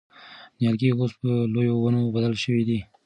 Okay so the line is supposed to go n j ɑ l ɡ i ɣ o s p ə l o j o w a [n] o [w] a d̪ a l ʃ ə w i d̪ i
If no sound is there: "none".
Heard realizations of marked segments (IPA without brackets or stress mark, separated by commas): n, b